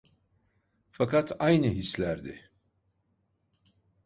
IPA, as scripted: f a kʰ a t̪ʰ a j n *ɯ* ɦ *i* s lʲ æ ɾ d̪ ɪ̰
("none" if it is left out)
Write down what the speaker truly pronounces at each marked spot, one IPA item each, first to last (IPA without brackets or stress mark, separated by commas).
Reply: ɯ, i